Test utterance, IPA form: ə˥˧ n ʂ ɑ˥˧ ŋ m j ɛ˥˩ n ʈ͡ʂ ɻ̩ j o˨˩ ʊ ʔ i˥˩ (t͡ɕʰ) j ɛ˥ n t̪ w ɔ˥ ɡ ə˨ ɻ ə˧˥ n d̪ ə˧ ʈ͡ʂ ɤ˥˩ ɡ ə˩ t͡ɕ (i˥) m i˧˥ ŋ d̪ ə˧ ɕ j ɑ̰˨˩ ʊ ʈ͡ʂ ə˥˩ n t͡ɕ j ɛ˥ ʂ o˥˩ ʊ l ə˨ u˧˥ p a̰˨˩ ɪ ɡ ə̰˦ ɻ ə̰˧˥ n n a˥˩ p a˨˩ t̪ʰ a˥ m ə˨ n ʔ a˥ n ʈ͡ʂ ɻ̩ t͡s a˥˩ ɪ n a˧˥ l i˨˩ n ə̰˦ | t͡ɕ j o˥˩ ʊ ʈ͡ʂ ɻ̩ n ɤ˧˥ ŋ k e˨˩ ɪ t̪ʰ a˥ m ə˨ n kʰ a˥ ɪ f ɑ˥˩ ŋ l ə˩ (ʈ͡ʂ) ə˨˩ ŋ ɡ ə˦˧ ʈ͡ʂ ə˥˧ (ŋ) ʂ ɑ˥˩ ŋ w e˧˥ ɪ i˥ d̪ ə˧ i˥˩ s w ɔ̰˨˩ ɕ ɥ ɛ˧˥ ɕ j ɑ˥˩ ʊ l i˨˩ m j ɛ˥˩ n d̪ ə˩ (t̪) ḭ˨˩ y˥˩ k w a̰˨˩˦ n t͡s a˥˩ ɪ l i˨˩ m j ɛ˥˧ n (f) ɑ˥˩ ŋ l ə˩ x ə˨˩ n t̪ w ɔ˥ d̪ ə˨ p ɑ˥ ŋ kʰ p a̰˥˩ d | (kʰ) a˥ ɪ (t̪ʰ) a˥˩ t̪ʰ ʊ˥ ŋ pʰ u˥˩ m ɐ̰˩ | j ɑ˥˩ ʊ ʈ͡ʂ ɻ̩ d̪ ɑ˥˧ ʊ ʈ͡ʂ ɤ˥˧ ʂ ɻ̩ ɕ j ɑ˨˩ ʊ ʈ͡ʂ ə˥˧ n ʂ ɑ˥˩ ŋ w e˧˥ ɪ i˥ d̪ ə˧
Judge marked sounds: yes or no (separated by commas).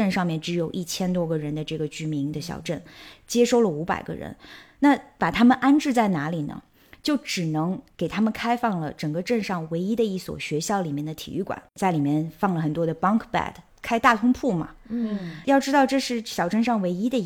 yes, no, yes, no, no, yes, yes, no